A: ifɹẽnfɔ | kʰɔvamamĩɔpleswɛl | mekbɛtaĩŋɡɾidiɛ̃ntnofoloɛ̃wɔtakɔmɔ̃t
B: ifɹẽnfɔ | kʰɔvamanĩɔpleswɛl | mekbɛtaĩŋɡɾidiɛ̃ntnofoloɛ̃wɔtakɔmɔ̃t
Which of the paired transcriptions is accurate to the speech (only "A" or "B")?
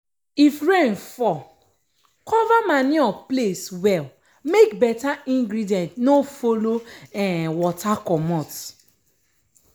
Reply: B